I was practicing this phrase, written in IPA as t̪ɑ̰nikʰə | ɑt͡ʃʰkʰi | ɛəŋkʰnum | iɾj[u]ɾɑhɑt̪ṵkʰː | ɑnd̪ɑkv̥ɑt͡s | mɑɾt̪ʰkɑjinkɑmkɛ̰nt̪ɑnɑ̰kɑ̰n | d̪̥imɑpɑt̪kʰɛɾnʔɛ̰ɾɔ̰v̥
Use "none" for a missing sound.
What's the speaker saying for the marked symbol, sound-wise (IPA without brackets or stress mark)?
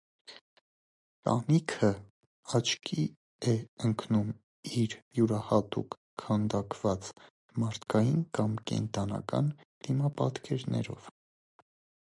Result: u